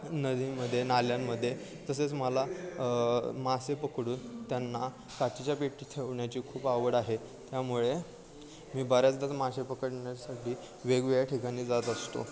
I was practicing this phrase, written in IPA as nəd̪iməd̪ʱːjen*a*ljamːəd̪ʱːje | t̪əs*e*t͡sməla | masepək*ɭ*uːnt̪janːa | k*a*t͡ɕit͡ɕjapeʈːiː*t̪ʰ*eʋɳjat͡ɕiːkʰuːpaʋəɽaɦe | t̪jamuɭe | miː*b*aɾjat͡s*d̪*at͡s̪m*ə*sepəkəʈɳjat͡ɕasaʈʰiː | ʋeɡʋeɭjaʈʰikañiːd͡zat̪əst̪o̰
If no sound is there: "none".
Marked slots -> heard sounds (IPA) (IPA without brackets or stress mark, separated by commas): a, e, ɽ, a, t̪ʰ, b, d̪, a